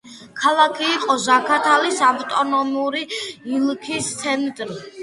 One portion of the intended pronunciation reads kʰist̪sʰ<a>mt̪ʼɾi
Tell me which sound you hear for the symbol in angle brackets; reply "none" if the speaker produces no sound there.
ɛ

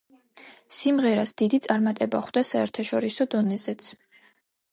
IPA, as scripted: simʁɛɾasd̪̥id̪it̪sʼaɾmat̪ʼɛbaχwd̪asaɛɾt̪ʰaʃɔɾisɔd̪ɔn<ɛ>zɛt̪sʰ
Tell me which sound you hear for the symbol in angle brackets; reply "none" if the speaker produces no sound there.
ɛ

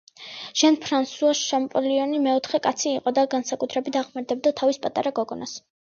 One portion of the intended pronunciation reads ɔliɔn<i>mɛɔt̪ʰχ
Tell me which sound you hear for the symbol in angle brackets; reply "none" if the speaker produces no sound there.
i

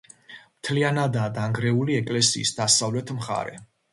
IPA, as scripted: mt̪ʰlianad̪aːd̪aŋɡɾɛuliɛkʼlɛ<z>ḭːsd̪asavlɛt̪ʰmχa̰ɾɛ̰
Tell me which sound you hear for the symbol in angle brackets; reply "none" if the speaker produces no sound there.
s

